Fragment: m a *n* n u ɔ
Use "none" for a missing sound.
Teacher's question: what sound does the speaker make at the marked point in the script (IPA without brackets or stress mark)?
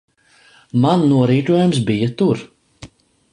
n